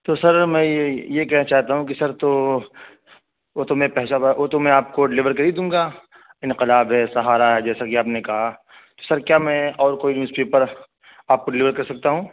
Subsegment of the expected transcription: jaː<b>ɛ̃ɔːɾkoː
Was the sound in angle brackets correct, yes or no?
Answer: no